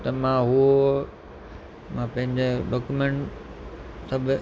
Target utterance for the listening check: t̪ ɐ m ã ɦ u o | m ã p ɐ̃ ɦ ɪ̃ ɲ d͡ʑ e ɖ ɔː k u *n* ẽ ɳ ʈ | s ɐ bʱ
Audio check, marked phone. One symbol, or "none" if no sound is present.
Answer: m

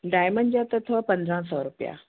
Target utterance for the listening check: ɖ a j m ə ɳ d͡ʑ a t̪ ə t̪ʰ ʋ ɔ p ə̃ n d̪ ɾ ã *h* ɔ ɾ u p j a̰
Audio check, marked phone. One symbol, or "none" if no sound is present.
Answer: s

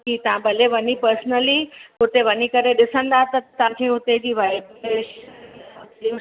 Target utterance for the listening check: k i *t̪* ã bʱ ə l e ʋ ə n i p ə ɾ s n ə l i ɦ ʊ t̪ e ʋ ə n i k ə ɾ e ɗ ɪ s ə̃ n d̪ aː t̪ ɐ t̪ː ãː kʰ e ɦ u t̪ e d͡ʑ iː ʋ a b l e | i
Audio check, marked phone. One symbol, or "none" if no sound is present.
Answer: t̪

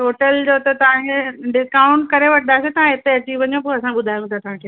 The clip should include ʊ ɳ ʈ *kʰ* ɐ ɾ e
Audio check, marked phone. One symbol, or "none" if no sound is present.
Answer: k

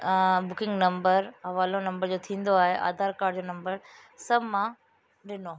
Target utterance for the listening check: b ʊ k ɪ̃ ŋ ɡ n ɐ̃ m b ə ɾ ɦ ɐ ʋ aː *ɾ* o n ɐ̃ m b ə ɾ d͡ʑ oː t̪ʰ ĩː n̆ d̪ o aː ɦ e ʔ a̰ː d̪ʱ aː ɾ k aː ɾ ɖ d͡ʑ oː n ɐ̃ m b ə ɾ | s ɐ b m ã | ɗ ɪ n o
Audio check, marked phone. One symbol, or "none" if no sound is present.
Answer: l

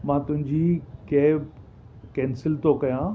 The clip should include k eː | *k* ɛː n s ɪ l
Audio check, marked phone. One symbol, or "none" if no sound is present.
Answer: k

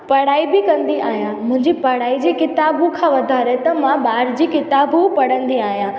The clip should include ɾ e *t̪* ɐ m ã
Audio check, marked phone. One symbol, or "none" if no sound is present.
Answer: t̪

